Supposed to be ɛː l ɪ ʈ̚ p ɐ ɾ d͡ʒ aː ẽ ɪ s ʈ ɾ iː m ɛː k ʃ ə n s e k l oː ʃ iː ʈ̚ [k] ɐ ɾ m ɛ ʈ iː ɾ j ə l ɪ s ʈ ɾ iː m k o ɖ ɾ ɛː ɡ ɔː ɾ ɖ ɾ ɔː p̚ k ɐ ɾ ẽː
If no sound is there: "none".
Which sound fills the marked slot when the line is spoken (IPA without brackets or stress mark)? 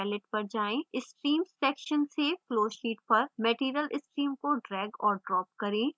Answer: p